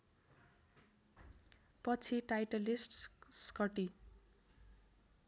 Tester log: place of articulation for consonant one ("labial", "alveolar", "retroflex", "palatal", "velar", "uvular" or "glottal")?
labial